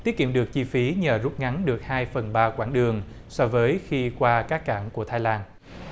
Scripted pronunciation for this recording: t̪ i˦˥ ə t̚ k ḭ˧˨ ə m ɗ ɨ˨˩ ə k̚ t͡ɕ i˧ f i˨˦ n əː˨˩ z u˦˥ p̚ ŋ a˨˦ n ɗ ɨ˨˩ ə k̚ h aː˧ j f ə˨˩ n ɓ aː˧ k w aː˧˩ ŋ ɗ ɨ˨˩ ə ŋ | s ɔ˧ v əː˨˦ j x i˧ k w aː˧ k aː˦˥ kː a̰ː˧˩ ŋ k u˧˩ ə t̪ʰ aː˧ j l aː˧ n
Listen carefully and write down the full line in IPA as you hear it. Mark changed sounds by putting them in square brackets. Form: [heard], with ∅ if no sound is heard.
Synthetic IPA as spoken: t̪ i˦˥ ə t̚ k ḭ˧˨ ə m ɗ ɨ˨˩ ə k̚ t͡ɕ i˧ f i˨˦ [ɲ] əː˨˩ z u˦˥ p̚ ŋ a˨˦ n ɗ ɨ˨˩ ə k̚ h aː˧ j f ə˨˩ n ɓ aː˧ k w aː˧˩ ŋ ɗ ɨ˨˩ ə ŋ | s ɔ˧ v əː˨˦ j x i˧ k w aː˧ k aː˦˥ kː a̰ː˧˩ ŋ k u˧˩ ə t̪ʰ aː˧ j l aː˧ n

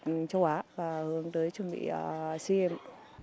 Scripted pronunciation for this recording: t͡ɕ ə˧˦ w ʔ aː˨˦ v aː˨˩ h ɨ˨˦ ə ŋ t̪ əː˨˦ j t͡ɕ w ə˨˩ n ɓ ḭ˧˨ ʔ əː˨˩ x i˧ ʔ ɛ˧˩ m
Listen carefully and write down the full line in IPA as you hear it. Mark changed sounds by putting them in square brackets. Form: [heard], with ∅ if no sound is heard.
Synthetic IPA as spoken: t͡ɕ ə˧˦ w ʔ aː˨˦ v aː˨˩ h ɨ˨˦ ə ŋ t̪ əː˨˦ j t͡ɕ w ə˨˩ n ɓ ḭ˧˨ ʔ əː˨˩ [s] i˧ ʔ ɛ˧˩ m

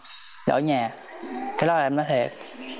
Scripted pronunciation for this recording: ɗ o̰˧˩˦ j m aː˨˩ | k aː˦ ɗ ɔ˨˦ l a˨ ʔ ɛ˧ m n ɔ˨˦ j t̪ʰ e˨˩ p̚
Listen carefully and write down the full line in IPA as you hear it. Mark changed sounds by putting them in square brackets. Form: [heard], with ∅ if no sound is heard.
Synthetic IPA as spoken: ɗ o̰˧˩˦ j [ɲ] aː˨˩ | k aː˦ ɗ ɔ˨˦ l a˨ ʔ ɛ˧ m n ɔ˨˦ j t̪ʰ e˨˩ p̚

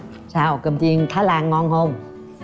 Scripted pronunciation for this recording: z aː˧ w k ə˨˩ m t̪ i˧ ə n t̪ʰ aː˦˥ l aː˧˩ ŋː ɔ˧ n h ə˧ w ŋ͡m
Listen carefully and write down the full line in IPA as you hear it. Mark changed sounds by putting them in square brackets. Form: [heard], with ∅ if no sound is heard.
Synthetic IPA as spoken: [s] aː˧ w k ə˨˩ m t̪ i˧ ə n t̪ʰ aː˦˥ l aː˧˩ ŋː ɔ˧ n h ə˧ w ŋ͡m

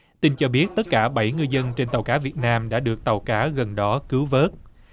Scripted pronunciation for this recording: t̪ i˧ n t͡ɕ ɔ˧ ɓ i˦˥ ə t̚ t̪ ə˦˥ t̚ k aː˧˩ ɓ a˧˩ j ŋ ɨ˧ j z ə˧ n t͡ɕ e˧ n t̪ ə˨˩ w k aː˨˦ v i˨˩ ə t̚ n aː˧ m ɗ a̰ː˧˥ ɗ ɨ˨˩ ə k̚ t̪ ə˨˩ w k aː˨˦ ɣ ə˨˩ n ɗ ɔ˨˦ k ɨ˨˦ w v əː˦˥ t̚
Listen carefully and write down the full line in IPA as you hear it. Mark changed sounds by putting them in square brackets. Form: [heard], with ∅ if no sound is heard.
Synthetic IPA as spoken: t̪ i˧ n t͡ɕ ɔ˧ ɓ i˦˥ ə t̚ t̪ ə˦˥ t̚ k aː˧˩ ɓ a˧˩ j ŋ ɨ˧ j z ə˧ n t͡ɕ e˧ n t̪ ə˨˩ w k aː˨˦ v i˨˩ ə t̚ n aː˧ m ɗ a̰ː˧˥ ɗ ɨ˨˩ ə k̚ t̪ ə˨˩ w k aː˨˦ ɣ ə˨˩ n ɗ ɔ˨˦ k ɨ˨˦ w v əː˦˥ t̚

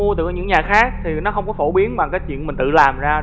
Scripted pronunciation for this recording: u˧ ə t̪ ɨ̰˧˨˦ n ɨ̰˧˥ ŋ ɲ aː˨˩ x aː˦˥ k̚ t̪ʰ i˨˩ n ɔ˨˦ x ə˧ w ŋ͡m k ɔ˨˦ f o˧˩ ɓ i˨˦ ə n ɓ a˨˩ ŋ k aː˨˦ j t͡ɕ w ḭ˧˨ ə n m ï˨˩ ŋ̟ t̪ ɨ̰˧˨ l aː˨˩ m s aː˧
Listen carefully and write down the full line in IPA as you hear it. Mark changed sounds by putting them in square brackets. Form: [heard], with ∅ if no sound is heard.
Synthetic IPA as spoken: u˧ ə t̪ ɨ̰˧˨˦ [ɲ] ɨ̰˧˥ ŋ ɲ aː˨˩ x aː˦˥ k̚ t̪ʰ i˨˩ n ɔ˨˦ x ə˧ w ŋ͡m k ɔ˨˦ f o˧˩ ɓ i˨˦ ə n ɓ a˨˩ ŋ k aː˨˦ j t͡ɕ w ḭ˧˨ ə n m ï˨˩ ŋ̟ t̪ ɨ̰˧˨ l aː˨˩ m [z] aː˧

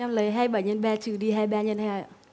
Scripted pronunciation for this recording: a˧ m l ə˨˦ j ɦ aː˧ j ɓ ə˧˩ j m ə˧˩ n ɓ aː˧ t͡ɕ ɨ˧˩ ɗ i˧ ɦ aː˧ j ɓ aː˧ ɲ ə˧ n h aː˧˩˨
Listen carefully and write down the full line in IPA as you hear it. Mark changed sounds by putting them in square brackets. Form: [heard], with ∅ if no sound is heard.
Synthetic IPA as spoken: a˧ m l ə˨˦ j ɦ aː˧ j ɓ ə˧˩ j [ɲ] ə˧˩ n ɓ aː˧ t͡ɕ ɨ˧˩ ɗ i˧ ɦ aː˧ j ɓ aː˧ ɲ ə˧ n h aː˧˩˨

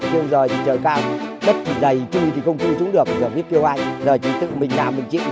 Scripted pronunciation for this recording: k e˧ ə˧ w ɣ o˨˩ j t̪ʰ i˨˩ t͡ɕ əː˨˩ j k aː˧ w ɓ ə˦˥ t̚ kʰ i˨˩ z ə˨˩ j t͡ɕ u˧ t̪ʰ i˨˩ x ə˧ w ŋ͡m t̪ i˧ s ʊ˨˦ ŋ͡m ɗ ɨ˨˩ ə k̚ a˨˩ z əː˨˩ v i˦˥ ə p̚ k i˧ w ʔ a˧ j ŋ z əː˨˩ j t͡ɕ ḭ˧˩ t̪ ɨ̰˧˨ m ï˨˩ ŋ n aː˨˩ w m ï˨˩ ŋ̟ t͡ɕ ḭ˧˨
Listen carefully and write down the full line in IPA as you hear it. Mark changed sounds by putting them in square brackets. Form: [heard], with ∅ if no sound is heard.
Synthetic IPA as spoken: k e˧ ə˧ w [z] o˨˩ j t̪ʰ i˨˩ t͡ɕ əː˨˩ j k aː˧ w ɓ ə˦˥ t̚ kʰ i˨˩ z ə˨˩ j t͡ɕ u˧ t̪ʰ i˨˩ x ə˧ w ŋ͡m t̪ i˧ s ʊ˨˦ ŋ͡m ɗ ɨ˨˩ ə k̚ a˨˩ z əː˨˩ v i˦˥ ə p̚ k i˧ w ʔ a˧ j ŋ z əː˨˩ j t͡ɕ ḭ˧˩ t̪ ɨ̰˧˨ m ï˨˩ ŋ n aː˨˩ w m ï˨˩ ŋ̟ t͡ɕ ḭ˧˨

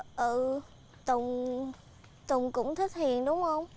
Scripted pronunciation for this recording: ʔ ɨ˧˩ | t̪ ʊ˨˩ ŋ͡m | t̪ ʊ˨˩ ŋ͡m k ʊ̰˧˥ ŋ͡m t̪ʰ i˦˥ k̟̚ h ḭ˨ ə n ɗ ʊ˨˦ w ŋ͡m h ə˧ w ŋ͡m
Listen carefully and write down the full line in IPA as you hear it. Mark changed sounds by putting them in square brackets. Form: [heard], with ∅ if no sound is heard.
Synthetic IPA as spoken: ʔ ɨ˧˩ | t̪ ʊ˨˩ ŋ͡m | t̪ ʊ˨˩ ŋ͡m k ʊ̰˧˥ ŋ͡m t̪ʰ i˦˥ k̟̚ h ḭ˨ ə n ɗ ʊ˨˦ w ŋ͡m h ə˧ w ŋ͡m

